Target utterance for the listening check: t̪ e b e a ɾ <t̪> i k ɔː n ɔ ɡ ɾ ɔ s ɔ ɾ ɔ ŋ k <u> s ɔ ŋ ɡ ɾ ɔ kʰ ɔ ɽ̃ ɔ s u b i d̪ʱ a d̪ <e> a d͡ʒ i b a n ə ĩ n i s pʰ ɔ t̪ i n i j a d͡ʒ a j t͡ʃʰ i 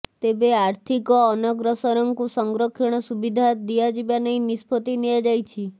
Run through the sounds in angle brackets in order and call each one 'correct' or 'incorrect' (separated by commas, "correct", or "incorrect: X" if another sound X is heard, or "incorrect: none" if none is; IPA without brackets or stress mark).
incorrect: t̪ʰ, correct, incorrect: i